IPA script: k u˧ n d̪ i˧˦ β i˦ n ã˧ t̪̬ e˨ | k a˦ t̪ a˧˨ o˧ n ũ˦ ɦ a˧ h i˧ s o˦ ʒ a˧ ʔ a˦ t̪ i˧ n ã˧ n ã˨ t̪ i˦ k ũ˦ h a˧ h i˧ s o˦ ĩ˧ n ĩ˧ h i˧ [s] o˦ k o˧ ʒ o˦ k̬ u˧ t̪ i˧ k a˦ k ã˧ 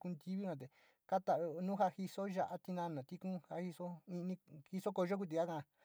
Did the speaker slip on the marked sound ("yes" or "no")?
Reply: no